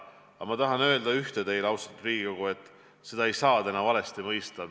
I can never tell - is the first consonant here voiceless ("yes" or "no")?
no